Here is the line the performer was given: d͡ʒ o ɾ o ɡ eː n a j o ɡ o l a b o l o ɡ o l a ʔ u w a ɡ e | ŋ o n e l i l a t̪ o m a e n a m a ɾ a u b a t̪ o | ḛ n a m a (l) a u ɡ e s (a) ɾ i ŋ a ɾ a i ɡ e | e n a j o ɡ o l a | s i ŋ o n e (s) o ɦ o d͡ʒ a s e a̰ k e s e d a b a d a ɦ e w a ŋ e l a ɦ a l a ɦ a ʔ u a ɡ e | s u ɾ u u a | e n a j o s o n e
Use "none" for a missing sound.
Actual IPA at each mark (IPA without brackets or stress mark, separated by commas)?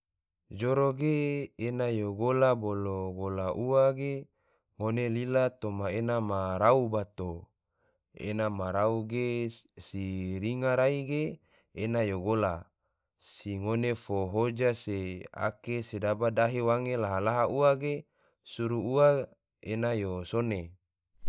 ɾ, i, f